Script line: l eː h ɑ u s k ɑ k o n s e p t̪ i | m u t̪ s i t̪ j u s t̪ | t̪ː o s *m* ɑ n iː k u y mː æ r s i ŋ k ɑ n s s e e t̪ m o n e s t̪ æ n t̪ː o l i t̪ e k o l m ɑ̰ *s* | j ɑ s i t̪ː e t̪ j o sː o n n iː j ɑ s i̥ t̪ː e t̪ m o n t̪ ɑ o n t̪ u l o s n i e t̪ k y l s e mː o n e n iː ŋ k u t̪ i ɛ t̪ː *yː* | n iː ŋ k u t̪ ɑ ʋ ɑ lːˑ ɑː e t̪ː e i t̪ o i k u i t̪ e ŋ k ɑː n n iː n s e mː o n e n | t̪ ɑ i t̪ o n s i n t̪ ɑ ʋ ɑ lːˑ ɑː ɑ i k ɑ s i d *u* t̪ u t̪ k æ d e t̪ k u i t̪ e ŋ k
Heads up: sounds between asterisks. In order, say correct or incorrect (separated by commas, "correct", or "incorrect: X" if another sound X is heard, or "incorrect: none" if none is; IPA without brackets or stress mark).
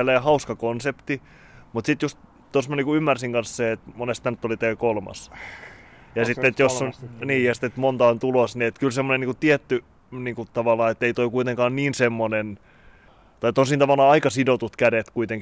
correct, correct, incorrect: y, incorrect: o